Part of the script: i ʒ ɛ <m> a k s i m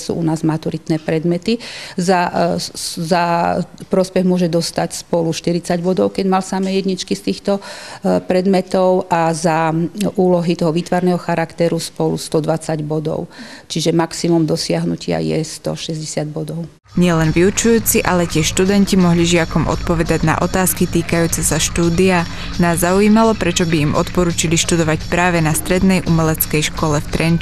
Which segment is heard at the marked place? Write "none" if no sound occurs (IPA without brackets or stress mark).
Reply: m